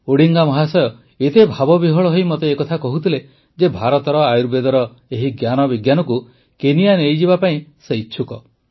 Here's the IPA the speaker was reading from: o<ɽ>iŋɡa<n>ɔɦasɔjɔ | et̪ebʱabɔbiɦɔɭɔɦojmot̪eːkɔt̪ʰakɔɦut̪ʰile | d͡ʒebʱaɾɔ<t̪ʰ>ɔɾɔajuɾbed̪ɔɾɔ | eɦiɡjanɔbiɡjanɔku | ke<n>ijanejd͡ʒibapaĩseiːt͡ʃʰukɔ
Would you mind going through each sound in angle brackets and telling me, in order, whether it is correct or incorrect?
correct, incorrect: m, incorrect: t̪, correct

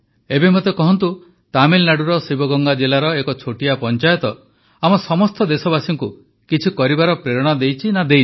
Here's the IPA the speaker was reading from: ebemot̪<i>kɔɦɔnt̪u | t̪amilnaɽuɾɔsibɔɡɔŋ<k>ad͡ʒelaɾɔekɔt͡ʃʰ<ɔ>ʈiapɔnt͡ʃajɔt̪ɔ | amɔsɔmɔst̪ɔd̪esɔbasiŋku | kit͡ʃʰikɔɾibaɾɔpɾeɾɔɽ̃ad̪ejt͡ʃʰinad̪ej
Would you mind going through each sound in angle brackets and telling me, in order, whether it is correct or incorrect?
incorrect: e, incorrect: ɡ, incorrect: o

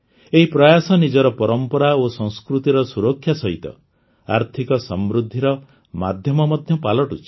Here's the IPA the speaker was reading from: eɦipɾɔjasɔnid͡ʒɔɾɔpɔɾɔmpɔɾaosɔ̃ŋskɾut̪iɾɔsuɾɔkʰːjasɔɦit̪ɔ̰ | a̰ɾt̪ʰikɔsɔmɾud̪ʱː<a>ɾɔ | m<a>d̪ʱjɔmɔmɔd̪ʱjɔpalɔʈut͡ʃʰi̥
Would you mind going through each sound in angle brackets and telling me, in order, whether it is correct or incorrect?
incorrect: i, correct

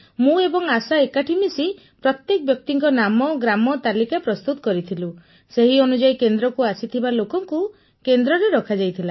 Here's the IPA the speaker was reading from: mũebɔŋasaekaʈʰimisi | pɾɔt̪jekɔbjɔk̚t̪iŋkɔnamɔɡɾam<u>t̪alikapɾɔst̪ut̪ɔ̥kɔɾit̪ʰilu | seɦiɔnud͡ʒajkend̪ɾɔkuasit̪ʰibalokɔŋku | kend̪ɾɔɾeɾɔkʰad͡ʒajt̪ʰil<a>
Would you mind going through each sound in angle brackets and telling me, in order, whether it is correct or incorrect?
incorrect: ɔ, correct

